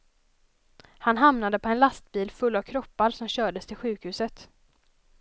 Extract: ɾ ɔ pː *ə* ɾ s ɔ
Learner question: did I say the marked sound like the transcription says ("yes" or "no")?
no